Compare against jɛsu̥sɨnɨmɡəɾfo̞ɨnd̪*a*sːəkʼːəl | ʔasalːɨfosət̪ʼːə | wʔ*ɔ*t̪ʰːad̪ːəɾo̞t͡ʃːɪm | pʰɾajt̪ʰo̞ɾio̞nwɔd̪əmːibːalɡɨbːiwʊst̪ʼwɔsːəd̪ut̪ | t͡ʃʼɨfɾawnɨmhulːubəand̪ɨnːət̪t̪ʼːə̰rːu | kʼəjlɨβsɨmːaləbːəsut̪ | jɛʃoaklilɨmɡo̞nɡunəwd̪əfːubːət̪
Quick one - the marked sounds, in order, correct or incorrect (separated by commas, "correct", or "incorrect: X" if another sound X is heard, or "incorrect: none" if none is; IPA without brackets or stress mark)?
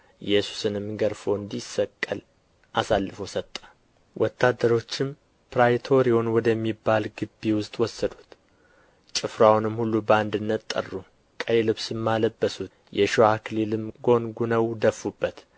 incorrect: i, correct